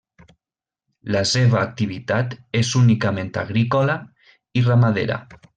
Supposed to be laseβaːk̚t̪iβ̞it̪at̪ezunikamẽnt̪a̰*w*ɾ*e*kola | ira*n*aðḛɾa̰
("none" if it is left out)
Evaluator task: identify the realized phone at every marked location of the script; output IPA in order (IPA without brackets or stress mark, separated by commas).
ɣ, i, m